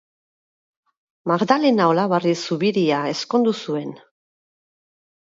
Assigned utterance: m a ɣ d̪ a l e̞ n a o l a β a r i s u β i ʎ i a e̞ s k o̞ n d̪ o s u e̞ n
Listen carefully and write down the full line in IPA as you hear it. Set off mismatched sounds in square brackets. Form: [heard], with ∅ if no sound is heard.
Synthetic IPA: m a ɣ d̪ a l e̞ n a o l a β a r i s u β i [ɾ] i a e̞ s k o̞ n d̪ [u] s u e̞ n